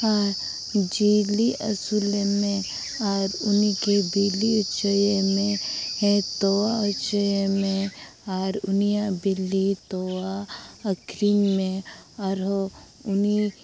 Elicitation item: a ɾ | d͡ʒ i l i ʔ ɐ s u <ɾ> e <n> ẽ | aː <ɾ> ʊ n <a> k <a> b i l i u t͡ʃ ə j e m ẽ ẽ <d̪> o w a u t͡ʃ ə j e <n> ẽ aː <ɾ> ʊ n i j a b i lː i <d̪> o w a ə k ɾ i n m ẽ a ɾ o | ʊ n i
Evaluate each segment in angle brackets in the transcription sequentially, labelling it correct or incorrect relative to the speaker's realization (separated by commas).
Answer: incorrect, incorrect, correct, incorrect, incorrect, incorrect, incorrect, correct, incorrect